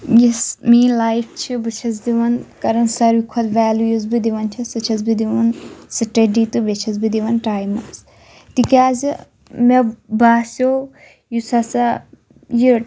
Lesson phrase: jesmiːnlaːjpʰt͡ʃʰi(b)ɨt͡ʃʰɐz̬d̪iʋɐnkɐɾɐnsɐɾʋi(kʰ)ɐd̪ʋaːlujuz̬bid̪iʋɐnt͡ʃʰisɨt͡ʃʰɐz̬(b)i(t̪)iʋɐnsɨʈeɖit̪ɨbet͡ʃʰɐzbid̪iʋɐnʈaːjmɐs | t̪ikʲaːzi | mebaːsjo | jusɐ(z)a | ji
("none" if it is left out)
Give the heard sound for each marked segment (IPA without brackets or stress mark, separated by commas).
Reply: b, kʰ, b, d̪, s